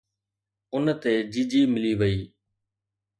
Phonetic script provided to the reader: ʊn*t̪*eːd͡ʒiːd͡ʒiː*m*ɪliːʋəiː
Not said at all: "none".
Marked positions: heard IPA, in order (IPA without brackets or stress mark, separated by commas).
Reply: t̪, m